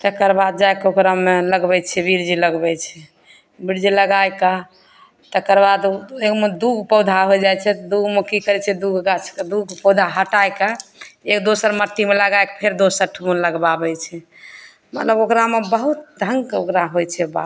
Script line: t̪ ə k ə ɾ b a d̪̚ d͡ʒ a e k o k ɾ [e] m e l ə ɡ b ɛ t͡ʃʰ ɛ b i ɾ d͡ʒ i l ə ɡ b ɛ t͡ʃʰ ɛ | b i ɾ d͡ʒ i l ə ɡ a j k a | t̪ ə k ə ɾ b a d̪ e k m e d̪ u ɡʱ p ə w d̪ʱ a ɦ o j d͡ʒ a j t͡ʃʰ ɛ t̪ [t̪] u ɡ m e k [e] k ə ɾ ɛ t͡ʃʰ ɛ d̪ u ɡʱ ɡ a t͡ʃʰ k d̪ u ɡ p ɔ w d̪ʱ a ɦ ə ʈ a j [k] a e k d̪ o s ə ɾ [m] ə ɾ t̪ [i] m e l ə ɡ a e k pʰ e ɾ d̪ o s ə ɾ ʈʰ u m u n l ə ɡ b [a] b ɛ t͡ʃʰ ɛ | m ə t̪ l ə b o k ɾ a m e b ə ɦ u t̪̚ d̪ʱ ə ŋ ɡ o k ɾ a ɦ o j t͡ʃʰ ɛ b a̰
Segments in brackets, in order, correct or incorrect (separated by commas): incorrect, incorrect, incorrect, correct, correct, correct, correct